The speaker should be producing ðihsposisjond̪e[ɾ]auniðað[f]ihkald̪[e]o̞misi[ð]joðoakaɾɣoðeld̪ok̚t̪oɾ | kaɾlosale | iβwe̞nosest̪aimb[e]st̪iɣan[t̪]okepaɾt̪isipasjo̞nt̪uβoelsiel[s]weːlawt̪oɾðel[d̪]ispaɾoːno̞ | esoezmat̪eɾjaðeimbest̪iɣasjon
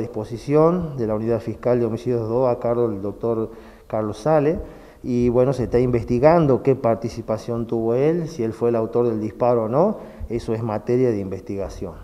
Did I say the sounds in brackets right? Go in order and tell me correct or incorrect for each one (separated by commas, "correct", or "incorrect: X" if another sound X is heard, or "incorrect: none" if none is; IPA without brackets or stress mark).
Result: incorrect: l, correct, correct, correct, correct, incorrect: d̪, incorrect: f, correct